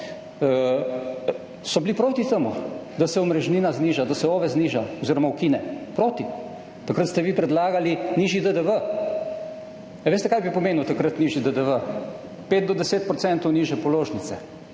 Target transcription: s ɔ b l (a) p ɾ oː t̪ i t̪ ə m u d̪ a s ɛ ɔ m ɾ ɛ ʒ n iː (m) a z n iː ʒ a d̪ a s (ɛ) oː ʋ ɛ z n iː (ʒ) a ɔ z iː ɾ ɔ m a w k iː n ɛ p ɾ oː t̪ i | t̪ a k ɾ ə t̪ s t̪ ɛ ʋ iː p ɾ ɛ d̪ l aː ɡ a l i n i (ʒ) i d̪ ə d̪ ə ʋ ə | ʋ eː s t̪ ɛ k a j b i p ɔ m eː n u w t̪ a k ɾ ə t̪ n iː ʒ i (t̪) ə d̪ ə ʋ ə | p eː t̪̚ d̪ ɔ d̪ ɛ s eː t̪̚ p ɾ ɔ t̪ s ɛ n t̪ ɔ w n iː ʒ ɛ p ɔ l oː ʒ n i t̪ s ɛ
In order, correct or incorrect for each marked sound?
incorrect: i, incorrect: n, correct, correct, correct, incorrect: d̪

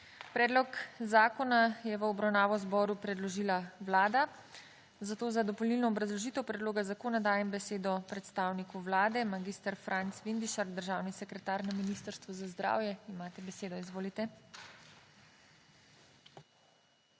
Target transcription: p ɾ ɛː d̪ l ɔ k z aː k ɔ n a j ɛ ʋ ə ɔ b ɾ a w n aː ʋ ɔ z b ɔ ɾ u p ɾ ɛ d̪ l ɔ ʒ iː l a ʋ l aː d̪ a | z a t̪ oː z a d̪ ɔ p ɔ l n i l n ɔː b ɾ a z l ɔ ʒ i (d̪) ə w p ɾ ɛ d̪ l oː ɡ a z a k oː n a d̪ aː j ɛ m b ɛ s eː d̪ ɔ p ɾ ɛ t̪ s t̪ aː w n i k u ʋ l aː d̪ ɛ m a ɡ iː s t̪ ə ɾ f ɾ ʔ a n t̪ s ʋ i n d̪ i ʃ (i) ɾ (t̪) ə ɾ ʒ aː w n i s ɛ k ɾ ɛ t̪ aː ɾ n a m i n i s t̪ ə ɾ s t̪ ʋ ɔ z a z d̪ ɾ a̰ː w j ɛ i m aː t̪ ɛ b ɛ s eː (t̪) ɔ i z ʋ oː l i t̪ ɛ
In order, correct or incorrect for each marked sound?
incorrect: t̪, incorrect: a, incorrect: d̪, incorrect: d̪

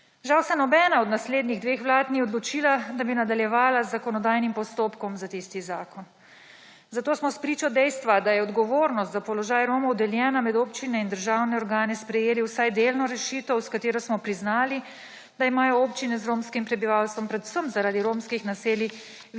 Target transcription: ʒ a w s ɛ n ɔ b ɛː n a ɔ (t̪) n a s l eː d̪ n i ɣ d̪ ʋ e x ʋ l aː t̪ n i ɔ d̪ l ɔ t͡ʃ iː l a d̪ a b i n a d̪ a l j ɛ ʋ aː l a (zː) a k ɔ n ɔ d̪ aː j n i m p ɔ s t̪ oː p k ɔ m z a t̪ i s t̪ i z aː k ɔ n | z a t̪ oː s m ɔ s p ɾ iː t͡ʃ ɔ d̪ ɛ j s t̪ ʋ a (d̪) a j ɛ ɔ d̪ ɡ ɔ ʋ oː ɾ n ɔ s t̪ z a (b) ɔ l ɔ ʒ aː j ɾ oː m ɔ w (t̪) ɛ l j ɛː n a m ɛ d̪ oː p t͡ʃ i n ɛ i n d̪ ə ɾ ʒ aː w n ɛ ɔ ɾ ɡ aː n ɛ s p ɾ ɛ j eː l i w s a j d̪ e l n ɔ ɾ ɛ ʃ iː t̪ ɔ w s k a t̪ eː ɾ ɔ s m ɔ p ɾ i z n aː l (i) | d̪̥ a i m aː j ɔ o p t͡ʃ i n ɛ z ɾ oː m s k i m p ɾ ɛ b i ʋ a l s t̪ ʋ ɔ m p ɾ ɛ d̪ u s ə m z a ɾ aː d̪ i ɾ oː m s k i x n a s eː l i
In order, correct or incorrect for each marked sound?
incorrect: d̪, correct, correct, incorrect: p, incorrect: d̪, correct

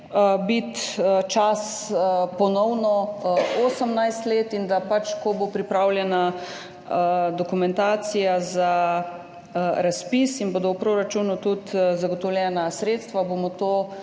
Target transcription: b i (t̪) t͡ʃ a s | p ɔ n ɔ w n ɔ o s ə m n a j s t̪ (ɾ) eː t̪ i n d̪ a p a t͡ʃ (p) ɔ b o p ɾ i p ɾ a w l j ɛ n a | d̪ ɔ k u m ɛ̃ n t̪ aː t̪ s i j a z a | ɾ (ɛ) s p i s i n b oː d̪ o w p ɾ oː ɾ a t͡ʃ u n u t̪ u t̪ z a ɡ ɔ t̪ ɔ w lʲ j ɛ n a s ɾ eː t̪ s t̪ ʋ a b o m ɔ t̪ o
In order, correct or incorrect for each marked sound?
correct, incorrect: l, incorrect: k, incorrect: a

